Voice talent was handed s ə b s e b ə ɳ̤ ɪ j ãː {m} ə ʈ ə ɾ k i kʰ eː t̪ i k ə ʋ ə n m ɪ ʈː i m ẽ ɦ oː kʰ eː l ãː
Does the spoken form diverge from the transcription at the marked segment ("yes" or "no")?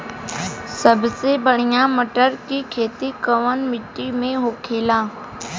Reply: no